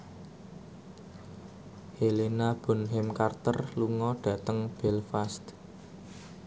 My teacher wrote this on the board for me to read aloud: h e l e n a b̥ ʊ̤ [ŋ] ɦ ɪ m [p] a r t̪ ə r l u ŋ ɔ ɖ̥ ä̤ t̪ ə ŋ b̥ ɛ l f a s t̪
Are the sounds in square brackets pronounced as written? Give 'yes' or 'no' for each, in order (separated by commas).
no, no